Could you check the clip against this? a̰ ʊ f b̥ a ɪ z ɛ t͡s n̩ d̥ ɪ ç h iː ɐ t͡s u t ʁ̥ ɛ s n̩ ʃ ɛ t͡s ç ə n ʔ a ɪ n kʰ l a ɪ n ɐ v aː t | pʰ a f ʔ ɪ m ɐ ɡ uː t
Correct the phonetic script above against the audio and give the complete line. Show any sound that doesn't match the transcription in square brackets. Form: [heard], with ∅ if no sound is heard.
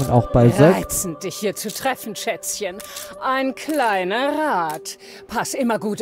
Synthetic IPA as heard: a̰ ʊ [x] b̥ a ɪ z ɛ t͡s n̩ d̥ ɪ ç h iː ɐ t͡s u t ʁ̥ ɛ [f] n̩ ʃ ɛ t͡s ç ə n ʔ a ɪ n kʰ l a ɪ n ɐ [ʁ] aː t | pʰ a [s] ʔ ɪ m ɐ ɡ uː t